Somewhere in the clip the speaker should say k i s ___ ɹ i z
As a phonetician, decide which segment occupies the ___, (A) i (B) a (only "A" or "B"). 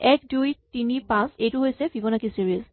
A